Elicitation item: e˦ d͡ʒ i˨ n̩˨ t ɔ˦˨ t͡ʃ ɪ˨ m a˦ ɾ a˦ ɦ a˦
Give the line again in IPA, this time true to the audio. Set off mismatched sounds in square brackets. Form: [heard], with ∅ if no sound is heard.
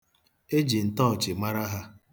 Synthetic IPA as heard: e˦ d͡ʒ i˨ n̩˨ t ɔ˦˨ t͡ʃ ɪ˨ m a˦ ɾ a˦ ɦ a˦

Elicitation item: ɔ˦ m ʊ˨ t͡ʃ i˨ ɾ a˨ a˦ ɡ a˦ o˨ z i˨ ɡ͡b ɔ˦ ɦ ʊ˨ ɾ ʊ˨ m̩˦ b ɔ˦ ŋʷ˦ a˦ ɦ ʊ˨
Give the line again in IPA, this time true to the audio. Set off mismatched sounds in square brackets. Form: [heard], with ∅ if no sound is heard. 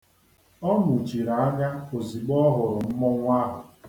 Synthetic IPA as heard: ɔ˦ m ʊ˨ t͡ʃ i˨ ɾ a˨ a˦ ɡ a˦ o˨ z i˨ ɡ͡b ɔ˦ ɦ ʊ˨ ɾ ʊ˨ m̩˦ [m] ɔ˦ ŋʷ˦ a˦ ɦ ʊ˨

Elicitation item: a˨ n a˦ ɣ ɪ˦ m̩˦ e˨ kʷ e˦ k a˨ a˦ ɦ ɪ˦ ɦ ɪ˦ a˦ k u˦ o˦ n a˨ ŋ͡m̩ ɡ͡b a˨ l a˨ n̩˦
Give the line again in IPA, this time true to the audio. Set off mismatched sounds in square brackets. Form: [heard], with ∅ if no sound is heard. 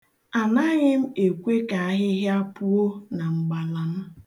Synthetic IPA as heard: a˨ n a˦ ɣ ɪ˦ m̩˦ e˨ kʷ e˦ k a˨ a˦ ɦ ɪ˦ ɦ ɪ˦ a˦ [p] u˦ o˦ n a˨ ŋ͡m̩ ɡ͡b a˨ l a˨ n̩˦

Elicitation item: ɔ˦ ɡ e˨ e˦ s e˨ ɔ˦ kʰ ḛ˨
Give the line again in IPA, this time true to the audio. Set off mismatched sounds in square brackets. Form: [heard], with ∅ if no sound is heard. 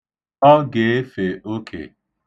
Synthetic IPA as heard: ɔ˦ ɡ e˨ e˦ [f] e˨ [o˦] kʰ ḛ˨

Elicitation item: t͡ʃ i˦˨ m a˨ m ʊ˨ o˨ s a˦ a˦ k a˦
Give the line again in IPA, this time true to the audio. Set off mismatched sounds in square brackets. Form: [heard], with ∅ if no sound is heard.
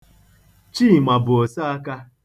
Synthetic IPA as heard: t͡ʃ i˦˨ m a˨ [b] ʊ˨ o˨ s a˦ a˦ k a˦

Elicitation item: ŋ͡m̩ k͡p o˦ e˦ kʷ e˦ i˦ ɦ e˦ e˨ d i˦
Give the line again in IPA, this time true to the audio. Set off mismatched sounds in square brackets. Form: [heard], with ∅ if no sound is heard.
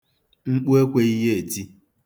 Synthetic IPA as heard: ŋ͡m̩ k͡p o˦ e˦ kʷ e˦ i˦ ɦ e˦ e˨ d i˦

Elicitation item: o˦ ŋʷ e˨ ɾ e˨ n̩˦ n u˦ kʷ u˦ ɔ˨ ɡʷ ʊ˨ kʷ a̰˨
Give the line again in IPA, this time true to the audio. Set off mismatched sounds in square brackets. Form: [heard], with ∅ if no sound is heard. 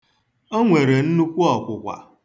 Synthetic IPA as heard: o˦ ŋʷ e˨ ɾ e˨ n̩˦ n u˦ kʷ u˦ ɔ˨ [kʷ] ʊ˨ kʷ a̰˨

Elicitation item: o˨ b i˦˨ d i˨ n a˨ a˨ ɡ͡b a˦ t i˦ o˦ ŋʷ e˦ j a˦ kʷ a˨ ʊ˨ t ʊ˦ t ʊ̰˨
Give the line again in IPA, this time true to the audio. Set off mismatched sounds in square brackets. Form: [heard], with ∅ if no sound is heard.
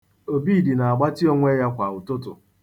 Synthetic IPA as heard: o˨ b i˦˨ d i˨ n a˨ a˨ ɡ͡b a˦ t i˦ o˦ ŋʷ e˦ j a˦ kʷ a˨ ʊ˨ t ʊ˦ t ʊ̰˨

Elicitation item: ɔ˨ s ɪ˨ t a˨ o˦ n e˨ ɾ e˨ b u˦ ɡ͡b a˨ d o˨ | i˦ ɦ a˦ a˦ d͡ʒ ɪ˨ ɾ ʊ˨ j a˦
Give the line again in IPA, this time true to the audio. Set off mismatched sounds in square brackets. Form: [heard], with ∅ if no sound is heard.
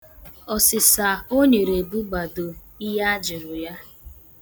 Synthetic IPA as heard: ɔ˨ s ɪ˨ [s] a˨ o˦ [ɲ] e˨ ɾ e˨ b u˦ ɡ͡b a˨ d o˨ | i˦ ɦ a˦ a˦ d͡ʒ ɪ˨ ɾ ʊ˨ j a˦

